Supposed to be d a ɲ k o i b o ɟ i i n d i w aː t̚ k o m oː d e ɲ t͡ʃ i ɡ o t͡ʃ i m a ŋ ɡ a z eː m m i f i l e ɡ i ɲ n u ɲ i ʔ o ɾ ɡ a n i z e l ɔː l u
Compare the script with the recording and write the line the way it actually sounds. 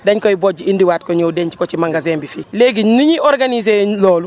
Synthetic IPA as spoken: d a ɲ k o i b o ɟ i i n d i w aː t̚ k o ɲ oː d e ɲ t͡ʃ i k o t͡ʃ i m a ŋ ɡ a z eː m b i f i l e ɡ i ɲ n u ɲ i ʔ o ɾ ɡ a n i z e l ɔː l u